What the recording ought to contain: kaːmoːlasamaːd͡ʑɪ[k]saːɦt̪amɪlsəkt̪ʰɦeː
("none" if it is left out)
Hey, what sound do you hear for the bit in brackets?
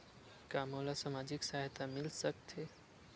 k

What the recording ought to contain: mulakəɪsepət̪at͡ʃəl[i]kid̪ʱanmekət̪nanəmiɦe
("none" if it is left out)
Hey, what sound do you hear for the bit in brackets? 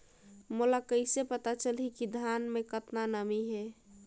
i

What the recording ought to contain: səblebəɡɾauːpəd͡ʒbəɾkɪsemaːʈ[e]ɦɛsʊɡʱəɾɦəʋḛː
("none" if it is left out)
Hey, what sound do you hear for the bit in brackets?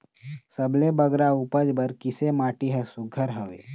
i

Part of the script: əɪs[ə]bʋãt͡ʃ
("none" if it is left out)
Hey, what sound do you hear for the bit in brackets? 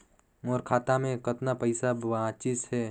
a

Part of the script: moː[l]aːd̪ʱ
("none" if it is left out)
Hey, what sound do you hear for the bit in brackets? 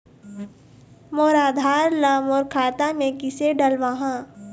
ɾ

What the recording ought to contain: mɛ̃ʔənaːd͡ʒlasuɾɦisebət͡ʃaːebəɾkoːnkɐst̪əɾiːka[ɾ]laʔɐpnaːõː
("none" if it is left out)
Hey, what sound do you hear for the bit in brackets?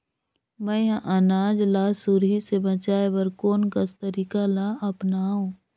none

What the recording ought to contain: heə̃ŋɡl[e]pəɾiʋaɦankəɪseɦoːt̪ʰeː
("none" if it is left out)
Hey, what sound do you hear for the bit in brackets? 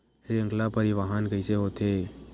a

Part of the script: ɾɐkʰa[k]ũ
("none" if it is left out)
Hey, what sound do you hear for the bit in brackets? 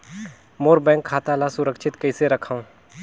none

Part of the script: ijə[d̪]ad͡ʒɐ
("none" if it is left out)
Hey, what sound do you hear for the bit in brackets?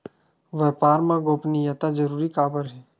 t̪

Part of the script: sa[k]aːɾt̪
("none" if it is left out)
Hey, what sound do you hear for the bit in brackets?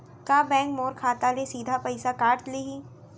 k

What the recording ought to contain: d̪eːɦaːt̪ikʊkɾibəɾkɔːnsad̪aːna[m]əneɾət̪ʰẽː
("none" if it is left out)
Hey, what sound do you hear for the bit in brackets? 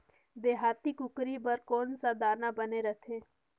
b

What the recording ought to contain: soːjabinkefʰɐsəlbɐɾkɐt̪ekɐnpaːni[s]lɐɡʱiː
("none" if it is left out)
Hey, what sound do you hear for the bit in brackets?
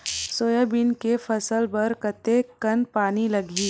none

